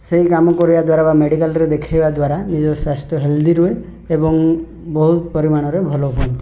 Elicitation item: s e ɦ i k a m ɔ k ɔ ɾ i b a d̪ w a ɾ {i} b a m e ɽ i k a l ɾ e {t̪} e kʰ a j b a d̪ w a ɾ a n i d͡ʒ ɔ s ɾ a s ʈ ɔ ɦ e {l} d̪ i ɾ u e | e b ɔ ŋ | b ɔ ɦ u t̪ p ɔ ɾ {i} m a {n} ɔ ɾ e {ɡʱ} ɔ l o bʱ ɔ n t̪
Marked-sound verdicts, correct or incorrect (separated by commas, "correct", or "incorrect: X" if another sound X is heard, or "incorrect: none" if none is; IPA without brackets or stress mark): incorrect: a, incorrect: d̪, correct, correct, correct, incorrect: bʱ